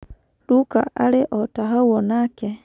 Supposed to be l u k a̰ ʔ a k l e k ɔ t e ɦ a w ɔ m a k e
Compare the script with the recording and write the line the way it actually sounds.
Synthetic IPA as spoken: l u k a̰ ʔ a l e ʔ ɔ t a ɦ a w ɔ n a k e